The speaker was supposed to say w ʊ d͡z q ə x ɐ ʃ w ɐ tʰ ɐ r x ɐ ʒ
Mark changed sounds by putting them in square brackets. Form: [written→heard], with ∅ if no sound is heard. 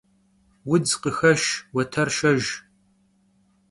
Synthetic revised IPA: w ʊ d͡z q ə x ɐ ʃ w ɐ tʰ ɐ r [x→ʃ] ɐ ʒ